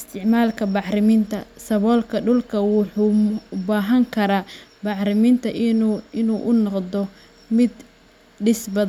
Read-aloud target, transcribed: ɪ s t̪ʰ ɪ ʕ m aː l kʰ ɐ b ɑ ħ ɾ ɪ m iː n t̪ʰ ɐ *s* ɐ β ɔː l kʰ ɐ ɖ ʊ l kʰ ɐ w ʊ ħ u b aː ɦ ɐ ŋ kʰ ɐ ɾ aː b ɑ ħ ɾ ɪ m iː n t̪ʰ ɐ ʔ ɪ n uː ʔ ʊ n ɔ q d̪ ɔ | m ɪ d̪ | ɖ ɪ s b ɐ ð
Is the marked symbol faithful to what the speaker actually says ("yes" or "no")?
yes